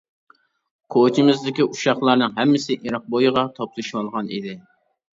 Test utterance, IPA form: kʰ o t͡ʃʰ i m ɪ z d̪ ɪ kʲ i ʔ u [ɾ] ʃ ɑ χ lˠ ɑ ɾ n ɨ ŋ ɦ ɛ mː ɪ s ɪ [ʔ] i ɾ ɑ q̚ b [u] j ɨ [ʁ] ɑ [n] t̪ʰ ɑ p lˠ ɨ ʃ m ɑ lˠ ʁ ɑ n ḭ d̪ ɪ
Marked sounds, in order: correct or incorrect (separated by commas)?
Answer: incorrect, correct, incorrect, correct, incorrect